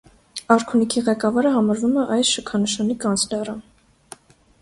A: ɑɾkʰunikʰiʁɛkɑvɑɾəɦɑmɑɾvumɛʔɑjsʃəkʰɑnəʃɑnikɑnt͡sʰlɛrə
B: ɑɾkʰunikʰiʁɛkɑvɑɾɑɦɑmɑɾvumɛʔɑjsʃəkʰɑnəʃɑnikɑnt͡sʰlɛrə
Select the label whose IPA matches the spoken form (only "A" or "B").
A